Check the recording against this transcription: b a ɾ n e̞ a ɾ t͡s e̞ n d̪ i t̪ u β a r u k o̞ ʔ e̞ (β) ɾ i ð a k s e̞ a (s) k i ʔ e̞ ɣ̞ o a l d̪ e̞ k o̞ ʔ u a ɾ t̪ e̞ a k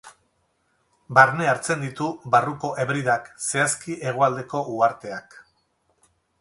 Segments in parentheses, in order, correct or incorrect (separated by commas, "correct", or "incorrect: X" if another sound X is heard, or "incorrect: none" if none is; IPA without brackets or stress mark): correct, correct